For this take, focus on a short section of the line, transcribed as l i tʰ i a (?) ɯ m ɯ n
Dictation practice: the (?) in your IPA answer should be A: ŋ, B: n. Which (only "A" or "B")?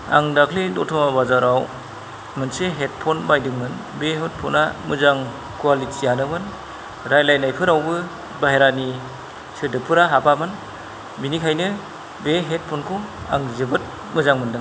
B